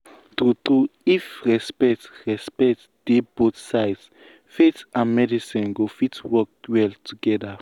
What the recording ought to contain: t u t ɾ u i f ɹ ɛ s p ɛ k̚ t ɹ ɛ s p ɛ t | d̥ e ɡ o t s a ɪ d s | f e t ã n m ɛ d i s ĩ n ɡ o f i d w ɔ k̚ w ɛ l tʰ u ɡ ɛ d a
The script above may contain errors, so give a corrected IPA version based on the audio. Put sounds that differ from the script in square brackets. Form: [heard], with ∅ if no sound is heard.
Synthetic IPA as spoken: t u t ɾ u i f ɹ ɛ s p ɛ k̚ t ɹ ɛ s p ɛ t | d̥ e [b] o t s a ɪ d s | f e t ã n m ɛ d i s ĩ n ɡ o f i [t] w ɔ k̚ w ɛ l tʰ u ɡ ɛ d a